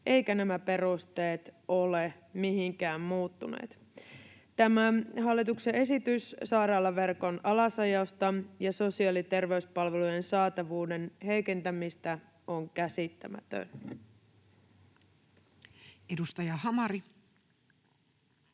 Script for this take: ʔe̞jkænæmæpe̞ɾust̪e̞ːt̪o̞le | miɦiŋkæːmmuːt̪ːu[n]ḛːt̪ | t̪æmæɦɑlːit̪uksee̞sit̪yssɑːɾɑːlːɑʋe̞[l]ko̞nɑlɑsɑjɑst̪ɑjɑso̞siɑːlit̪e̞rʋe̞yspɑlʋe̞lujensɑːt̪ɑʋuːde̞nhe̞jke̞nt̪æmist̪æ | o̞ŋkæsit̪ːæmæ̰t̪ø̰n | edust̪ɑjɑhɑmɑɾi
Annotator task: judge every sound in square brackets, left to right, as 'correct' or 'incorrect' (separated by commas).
correct, incorrect